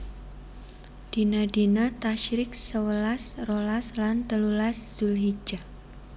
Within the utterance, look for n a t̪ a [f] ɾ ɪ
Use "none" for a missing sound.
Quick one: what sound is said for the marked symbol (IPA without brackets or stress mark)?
ʃ